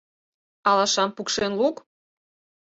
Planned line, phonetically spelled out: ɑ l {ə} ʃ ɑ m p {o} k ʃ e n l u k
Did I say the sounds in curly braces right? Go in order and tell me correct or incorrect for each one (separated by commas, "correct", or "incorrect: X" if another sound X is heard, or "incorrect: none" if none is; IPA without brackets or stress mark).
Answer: incorrect: ɑ, incorrect: u